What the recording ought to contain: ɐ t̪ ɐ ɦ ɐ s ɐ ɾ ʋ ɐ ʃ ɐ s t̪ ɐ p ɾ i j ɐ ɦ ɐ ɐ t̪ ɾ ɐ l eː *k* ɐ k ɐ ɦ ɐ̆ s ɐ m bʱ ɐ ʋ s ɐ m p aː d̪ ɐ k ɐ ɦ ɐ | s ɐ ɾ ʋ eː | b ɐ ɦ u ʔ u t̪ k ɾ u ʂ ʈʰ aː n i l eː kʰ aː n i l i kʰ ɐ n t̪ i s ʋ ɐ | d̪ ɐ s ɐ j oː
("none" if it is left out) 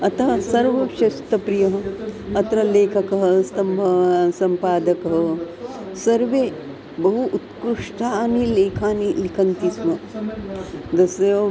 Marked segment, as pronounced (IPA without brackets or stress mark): kʰ